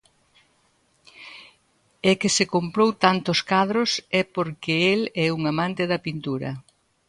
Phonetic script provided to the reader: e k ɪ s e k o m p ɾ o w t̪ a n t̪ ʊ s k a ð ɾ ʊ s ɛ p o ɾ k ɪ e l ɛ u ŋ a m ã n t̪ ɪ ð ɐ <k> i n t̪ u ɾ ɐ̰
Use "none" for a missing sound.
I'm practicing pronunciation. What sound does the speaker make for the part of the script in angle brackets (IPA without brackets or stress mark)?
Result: p